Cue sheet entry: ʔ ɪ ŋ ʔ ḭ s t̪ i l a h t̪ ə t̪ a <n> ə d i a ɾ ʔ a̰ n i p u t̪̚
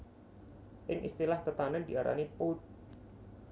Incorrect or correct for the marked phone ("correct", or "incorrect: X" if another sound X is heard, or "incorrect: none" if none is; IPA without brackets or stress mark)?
correct